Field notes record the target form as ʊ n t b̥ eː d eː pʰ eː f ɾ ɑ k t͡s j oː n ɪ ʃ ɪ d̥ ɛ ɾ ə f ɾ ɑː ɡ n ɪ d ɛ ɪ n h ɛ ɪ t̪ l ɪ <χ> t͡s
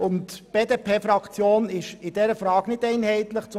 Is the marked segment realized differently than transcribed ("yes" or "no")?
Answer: no